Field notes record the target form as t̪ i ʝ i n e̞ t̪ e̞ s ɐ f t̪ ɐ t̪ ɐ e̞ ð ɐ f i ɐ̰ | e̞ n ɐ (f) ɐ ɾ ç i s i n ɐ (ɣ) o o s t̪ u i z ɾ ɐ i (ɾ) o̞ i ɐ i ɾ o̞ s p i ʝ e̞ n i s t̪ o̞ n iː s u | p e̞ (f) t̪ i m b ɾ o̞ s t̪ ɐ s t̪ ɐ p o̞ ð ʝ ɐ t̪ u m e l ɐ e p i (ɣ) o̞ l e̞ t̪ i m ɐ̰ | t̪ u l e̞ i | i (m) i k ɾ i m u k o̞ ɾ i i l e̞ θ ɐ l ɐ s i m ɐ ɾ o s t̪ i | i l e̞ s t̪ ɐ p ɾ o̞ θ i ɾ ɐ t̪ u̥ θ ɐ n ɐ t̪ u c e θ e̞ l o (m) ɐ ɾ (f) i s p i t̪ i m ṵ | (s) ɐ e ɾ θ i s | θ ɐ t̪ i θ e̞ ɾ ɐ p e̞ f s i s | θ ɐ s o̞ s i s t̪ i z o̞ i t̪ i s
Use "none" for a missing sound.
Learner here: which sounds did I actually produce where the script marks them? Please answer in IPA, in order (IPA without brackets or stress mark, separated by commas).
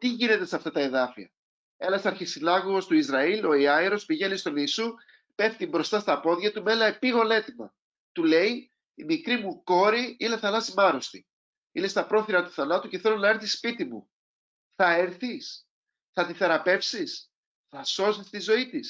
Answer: s, ɣ, l, f, ɣ, m, n, θ, θ